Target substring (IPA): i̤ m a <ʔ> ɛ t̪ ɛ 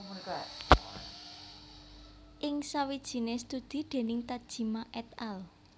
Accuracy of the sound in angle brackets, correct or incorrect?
correct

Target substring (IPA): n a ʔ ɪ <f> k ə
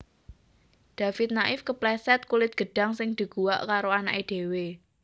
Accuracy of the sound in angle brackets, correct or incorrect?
correct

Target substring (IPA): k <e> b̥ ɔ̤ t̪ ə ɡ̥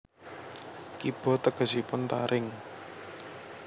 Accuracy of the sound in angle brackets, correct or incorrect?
incorrect: i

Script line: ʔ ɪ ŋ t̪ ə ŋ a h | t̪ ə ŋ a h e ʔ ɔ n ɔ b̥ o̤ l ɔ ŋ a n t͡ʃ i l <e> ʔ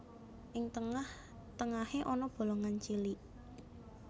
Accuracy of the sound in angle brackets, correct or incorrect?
incorrect: i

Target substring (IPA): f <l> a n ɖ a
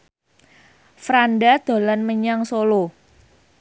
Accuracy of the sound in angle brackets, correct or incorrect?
incorrect: ɾ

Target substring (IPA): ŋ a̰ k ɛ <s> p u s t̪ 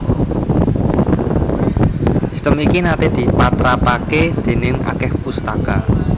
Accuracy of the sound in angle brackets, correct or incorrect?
incorrect: h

